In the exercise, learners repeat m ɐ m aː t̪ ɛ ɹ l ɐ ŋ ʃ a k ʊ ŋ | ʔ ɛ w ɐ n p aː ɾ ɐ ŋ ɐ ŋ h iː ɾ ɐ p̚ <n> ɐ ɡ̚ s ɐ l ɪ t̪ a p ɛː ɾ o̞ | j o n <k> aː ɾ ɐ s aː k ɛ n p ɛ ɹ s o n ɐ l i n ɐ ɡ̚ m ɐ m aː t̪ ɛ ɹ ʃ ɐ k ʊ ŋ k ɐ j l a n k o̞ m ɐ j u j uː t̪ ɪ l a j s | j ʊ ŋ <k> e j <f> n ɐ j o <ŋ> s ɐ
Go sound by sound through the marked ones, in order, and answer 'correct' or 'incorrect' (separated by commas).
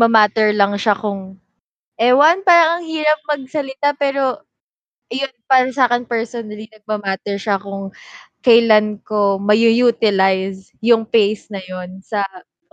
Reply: incorrect, incorrect, incorrect, incorrect, incorrect